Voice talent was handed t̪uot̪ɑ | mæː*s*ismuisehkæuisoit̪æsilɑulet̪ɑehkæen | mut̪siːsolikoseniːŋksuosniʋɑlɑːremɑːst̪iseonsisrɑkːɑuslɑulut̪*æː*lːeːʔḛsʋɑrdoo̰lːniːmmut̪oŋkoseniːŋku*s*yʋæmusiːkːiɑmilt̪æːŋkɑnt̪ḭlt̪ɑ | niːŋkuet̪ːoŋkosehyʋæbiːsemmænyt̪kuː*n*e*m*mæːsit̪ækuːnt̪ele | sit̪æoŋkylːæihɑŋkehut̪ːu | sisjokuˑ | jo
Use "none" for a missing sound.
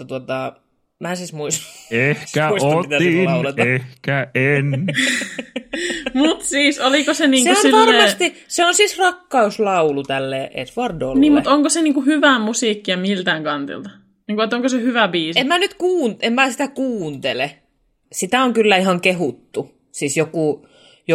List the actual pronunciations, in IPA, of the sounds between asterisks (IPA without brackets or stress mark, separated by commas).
s, æ, h, n, m